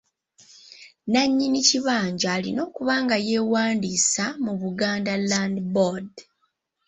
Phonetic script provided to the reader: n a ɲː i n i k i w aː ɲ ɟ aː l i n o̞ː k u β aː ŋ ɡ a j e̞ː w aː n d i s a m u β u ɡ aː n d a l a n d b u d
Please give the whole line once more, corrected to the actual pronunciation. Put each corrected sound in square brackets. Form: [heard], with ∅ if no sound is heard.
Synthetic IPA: n a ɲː i n i [c] i [β] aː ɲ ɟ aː l i n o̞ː k u β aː ŋ ɡ a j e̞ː w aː n d i s a m u β u ɡ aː n d a l a n d b [o] d